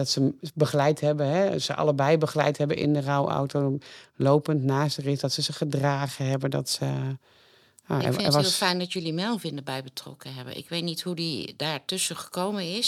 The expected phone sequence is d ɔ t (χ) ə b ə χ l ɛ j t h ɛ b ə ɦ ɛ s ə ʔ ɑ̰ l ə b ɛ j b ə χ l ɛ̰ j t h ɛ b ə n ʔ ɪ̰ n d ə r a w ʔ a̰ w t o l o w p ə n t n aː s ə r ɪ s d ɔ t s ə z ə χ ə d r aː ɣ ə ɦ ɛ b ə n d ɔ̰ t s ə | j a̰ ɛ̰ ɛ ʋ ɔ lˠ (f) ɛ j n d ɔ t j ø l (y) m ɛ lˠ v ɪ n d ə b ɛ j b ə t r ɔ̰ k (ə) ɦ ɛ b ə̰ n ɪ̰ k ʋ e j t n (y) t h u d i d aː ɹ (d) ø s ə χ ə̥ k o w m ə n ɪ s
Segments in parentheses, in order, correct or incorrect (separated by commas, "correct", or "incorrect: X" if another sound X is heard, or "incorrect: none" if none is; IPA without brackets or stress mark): incorrect: s, correct, incorrect: i, correct, incorrect: i, incorrect: t